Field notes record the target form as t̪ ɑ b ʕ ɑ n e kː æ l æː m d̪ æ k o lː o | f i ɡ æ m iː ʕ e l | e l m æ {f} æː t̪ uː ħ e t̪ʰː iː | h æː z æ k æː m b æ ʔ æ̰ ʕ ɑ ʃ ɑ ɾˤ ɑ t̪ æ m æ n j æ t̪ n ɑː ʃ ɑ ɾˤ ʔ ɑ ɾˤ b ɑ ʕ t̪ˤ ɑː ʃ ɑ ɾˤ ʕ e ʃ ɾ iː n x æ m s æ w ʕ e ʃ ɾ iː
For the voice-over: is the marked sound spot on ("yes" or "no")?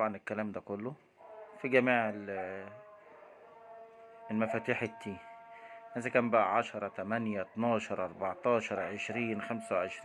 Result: yes